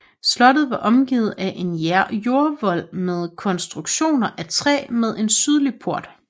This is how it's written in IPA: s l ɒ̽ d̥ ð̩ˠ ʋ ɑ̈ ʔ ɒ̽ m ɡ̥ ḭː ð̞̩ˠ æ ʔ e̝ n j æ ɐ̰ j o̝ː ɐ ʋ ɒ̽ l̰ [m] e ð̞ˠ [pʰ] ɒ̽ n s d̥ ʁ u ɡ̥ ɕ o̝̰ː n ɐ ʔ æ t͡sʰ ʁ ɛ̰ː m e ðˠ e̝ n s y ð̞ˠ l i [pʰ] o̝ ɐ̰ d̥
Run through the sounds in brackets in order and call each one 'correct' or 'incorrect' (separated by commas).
correct, incorrect, correct